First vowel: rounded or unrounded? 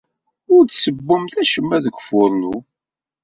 rounded